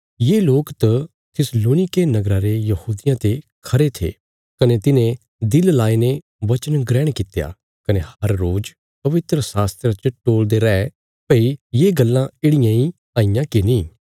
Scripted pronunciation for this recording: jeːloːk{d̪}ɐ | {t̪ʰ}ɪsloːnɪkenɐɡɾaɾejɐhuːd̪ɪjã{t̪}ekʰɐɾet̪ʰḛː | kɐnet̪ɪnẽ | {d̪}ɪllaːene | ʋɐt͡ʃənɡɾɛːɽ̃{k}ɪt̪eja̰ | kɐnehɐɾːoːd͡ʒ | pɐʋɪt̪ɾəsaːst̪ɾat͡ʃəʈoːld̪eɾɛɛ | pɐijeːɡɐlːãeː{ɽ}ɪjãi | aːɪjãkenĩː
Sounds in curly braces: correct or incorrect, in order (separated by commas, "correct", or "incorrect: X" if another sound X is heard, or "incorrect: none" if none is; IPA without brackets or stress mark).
incorrect: t̪, correct, correct, correct, correct, correct